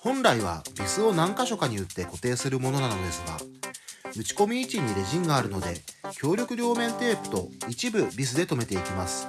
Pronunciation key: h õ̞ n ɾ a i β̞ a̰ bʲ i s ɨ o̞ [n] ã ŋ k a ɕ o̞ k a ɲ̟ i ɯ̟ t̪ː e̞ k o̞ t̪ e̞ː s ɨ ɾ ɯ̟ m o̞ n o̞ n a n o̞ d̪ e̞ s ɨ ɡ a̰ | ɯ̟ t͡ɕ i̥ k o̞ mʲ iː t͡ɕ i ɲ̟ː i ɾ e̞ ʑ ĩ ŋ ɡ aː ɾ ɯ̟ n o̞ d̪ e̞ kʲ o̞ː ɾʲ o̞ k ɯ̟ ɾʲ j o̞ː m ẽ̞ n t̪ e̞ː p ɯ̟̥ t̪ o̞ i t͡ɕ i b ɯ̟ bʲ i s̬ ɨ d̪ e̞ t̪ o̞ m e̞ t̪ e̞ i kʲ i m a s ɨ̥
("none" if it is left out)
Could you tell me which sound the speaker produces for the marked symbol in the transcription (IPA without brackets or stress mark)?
n